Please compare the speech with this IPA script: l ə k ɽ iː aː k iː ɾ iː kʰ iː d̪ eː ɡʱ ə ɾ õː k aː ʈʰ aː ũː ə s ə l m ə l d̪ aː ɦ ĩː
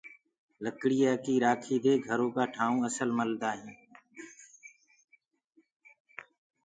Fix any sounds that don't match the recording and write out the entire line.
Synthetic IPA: l ə k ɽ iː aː k iː ɾ aː kʰ iː d̪ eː ɡʱ ə ɾ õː k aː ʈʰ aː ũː ə s ə l m ə l d̪ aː ɦ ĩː